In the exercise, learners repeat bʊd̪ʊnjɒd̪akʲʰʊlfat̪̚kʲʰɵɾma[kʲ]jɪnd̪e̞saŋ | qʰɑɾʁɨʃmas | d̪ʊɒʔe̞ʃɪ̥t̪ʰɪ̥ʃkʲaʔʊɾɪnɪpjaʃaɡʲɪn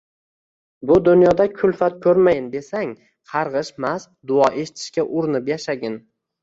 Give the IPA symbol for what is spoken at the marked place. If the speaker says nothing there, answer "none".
none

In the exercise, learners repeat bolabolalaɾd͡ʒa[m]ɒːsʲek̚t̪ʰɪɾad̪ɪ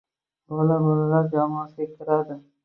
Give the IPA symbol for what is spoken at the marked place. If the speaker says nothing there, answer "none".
m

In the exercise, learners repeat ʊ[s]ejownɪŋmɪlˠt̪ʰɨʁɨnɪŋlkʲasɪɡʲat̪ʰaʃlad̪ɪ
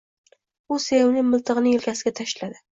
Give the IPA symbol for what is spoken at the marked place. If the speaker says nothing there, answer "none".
s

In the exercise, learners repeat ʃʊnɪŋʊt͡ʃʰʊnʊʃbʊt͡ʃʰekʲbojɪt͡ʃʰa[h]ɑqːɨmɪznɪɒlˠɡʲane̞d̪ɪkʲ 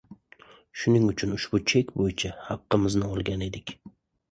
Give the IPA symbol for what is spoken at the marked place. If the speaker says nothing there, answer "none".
h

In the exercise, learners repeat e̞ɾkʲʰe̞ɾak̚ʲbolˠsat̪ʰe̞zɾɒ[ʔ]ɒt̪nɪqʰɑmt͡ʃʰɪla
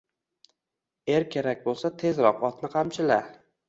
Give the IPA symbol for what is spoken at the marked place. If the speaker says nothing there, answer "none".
q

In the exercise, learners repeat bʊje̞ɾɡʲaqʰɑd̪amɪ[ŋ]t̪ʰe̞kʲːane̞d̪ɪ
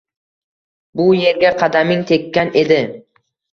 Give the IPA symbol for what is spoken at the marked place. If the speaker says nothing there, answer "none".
ŋ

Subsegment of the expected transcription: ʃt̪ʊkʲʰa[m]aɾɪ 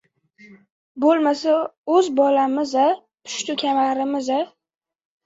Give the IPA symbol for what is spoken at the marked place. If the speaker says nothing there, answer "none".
m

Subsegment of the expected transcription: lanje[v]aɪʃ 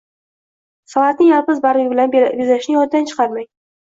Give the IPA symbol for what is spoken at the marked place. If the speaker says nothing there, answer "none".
z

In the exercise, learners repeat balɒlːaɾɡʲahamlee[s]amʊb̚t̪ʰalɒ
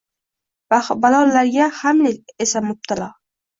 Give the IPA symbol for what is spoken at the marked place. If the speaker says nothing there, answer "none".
s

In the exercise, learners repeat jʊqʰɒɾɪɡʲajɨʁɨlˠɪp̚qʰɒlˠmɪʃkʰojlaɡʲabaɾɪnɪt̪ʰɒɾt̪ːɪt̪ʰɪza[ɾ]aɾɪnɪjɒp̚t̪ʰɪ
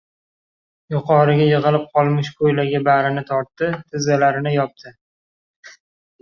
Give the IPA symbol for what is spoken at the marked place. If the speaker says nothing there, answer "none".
l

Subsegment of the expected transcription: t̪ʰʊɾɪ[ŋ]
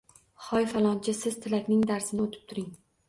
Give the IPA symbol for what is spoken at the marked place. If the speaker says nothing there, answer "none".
ŋ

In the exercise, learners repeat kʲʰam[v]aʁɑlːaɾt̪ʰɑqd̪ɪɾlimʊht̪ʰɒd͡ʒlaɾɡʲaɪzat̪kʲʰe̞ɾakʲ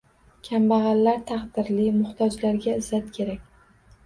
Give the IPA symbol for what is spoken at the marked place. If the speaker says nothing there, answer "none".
b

